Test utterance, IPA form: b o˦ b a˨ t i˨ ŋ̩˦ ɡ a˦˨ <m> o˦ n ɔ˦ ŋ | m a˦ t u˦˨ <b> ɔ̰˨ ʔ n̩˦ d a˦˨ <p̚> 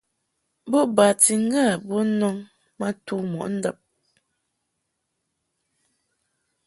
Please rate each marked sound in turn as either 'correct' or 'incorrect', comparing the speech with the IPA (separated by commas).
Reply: incorrect, incorrect, correct